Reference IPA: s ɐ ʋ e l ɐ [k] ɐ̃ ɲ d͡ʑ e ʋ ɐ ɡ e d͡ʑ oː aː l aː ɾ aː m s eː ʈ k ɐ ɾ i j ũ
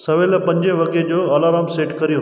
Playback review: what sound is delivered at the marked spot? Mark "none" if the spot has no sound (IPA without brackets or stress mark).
p